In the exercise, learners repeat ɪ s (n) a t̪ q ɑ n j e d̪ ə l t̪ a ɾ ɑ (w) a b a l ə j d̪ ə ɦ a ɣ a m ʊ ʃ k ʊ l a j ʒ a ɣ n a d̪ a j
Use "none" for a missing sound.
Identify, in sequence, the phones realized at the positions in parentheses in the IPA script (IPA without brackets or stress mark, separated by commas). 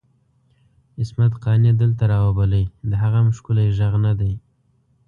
m, w